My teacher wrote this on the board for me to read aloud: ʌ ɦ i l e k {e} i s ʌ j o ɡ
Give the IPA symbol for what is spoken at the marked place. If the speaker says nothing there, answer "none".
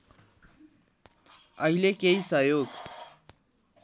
e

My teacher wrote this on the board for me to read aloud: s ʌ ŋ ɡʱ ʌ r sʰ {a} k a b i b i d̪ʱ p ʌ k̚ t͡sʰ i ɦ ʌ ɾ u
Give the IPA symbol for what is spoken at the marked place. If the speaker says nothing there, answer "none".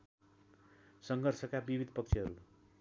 ʌ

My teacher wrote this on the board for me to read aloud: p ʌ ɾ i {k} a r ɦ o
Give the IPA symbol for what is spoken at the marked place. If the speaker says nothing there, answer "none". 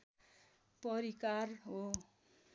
k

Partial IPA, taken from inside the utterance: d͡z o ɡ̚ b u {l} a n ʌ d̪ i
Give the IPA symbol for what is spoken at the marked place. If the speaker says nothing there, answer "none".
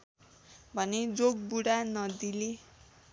ɽ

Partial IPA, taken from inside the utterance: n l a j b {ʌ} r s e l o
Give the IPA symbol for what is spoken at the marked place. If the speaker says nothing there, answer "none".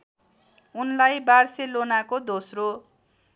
a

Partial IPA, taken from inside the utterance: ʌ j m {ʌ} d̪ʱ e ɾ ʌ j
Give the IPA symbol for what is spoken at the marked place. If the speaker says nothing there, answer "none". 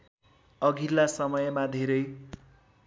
a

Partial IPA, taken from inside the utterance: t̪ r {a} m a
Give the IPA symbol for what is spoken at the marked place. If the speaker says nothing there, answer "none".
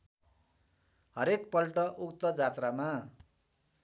a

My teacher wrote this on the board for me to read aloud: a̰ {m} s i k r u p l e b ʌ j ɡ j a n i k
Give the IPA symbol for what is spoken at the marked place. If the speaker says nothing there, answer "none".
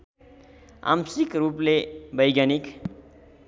m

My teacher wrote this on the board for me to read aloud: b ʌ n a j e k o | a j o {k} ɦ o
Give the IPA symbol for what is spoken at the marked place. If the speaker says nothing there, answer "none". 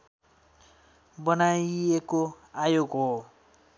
ɡ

